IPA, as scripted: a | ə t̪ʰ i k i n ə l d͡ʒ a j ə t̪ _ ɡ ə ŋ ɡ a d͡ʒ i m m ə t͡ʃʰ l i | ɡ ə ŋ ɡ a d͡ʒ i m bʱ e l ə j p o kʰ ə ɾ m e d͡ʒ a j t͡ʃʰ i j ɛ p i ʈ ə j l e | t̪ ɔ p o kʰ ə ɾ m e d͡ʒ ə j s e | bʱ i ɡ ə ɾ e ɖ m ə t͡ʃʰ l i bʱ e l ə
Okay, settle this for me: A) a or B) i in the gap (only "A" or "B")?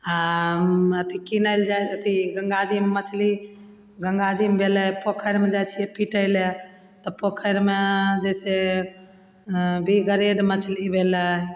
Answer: B